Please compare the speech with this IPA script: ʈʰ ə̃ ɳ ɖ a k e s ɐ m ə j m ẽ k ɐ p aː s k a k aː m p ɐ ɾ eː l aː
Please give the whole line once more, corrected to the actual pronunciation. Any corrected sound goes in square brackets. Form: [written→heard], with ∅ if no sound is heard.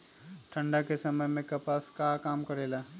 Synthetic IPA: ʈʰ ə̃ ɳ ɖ a k e s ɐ m ə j m ẽ k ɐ p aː s k a k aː m [p→k] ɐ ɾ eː l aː